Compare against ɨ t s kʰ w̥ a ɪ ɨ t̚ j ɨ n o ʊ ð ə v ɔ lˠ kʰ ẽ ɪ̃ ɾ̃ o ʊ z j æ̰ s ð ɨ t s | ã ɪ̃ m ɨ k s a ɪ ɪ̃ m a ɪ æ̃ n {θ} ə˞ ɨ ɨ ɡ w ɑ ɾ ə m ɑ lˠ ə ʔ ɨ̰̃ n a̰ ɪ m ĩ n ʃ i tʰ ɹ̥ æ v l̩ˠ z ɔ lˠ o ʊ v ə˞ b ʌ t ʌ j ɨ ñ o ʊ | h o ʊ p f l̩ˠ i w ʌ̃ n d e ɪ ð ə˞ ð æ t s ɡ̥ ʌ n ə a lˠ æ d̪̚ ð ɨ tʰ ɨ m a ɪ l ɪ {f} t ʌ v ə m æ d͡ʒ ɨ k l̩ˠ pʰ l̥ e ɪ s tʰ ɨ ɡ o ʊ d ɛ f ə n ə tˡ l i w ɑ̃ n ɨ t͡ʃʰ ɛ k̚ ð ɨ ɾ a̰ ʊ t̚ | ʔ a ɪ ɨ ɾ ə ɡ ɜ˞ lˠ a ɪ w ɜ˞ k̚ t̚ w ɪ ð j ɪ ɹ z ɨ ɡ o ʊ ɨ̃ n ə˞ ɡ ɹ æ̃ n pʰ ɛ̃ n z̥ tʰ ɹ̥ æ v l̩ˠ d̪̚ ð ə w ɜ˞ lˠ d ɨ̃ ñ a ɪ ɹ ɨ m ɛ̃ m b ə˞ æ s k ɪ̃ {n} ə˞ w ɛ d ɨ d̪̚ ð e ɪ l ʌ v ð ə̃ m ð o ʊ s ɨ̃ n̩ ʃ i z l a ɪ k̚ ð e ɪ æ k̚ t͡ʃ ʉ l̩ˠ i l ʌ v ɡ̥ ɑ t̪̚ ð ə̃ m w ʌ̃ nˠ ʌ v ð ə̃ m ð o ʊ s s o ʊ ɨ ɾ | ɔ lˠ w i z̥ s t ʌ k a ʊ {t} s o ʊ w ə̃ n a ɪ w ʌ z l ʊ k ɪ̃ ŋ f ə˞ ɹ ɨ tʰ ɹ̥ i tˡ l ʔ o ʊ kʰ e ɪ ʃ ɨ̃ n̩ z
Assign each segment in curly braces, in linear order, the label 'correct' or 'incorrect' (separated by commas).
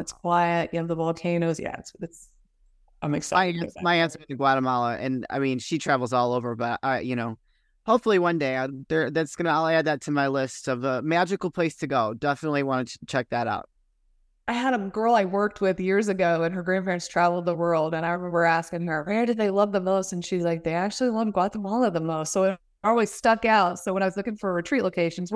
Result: incorrect, incorrect, incorrect, correct